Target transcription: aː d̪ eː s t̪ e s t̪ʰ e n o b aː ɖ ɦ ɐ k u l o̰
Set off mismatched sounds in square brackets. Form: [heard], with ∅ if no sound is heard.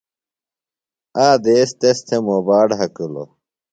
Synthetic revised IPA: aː d̪ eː s t̪ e s t̪ʰ e [m] o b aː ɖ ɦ ɐ k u l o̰